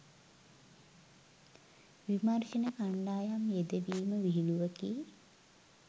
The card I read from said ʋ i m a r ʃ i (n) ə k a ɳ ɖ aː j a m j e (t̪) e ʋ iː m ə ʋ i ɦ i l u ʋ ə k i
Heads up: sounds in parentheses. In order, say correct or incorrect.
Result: correct, incorrect: d̪

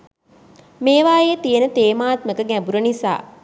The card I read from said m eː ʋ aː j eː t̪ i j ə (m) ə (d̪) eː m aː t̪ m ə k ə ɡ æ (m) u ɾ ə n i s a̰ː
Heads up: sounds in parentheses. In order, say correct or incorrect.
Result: incorrect: n, incorrect: t̪, incorrect: b

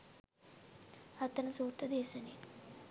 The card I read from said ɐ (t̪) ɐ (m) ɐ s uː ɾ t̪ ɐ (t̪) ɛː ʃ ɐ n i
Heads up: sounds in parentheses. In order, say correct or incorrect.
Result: correct, incorrect: n, incorrect: d̪

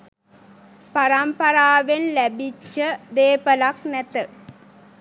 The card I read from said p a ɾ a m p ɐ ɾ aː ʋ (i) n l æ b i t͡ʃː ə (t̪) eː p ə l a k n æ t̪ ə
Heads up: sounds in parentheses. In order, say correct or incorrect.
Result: incorrect: e, incorrect: d̪

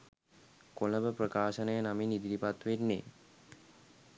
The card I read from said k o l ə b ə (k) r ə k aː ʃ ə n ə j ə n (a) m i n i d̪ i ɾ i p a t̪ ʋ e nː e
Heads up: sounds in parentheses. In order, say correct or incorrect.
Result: incorrect: p, correct

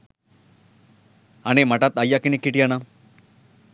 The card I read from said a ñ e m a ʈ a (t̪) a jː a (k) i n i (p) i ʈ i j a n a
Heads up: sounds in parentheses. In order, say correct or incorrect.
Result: correct, correct, incorrect: k

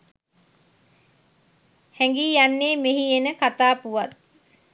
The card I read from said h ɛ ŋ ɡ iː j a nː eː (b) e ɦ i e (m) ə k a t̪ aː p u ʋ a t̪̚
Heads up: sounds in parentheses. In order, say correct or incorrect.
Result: incorrect: m, incorrect: n

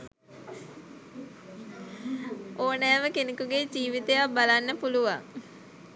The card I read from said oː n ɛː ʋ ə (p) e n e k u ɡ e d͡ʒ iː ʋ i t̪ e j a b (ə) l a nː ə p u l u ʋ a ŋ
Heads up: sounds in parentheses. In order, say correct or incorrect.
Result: incorrect: k, incorrect: a

